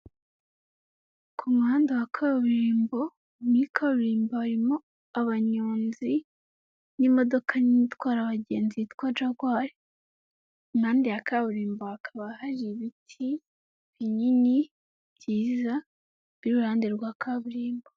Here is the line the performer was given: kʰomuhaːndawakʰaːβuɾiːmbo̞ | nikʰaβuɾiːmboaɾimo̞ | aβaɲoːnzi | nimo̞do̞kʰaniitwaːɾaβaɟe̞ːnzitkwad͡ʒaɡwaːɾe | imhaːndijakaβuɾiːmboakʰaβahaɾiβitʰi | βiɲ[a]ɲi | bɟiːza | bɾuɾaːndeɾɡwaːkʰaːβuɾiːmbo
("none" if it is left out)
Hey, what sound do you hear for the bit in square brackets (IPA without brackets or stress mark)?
i